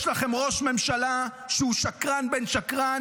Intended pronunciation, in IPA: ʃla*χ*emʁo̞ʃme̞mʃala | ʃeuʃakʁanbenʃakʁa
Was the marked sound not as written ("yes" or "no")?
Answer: no